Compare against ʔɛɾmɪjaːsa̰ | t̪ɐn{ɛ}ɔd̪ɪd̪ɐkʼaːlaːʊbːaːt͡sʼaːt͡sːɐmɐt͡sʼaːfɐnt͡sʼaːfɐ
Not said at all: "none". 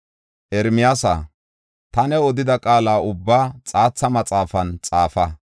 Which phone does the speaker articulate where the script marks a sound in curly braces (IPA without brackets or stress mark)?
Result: ɛ